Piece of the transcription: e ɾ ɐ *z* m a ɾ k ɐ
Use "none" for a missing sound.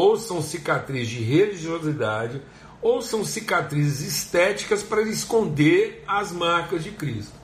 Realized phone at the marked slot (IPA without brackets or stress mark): z